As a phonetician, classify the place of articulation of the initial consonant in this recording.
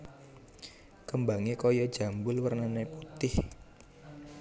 velar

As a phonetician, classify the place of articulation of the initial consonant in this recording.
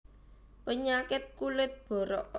labial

